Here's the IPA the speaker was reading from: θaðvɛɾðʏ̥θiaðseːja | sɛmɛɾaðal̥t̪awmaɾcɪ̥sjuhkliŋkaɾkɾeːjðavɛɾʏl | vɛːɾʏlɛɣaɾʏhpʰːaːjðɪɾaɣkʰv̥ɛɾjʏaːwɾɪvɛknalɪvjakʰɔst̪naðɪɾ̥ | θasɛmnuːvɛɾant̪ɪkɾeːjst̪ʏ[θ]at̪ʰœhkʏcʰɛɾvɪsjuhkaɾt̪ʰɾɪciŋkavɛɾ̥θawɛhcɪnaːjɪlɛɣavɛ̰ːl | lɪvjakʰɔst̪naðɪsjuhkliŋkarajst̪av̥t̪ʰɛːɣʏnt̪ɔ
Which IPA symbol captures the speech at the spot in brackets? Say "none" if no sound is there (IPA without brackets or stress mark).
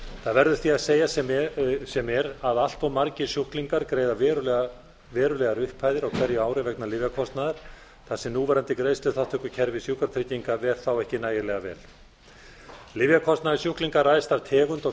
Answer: θ